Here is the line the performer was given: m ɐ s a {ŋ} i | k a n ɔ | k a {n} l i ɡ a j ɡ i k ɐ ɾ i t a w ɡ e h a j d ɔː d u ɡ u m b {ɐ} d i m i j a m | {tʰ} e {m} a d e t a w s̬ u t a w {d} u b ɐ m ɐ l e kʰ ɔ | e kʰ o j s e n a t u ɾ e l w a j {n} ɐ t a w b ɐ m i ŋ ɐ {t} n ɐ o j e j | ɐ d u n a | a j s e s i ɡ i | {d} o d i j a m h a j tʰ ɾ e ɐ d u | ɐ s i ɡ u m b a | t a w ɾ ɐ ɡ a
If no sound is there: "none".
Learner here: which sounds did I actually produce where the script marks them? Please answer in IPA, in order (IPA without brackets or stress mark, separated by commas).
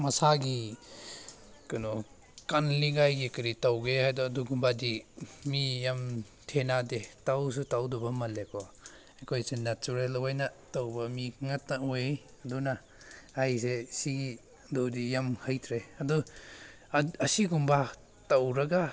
ɡ, n, a, tʰ, n, d, n, t, d